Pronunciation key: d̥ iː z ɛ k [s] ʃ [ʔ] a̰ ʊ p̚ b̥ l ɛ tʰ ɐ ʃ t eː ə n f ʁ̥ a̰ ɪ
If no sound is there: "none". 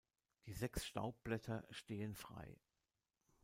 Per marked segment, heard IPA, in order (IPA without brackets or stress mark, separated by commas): s, t